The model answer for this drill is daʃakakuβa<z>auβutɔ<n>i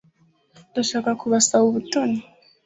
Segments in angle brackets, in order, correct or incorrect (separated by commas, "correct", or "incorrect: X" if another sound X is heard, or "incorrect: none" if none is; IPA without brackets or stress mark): incorrect: s, correct